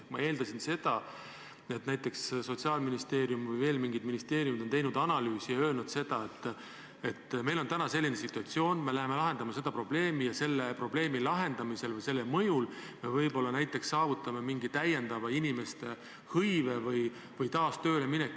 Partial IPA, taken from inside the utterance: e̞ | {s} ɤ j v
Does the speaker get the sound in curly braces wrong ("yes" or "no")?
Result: yes